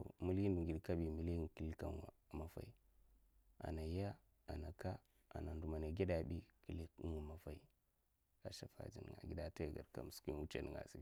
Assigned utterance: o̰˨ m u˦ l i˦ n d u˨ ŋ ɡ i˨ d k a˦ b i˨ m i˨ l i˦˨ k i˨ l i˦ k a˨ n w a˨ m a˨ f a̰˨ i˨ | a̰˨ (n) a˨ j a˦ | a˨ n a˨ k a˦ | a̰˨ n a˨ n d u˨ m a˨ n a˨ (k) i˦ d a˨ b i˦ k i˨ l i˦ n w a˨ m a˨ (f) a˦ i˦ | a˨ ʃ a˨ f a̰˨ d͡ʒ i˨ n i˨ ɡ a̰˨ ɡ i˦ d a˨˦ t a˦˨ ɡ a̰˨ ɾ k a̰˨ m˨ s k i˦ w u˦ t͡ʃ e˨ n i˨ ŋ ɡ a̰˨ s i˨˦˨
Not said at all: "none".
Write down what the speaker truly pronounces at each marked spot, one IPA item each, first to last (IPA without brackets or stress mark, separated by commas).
n, ɡ, f